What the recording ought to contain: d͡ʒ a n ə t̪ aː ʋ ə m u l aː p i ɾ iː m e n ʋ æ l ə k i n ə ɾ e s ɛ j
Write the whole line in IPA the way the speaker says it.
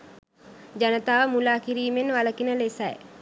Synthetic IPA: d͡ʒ a n ə t̪ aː ʋ ə m u l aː k i ɾ iː m e n ʋ a l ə k i n ə l e s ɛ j